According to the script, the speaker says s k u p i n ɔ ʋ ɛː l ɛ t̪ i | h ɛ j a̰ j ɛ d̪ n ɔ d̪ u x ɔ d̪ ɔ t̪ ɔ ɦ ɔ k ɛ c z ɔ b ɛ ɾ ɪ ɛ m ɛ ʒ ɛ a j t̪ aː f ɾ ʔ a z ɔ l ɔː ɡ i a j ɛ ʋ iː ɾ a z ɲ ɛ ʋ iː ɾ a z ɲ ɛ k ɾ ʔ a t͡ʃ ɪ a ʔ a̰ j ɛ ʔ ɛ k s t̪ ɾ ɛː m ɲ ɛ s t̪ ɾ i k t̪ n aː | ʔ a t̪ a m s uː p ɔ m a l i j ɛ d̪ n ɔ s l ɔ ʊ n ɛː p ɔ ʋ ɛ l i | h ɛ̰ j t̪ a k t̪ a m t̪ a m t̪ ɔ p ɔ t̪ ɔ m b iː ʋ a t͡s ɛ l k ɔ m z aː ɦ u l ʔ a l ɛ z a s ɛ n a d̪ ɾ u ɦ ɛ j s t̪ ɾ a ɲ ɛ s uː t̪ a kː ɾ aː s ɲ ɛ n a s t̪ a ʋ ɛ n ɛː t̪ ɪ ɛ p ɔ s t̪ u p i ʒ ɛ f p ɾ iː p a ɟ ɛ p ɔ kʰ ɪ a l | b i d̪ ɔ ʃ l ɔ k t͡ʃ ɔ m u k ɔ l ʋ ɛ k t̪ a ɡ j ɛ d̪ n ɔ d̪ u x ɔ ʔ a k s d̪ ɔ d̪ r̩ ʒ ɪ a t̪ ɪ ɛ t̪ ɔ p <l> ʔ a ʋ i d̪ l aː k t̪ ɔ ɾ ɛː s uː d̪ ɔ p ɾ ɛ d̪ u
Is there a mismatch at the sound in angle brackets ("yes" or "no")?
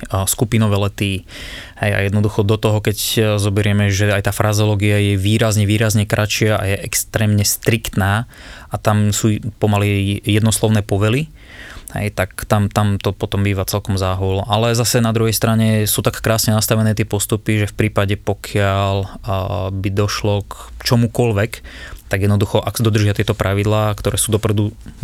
yes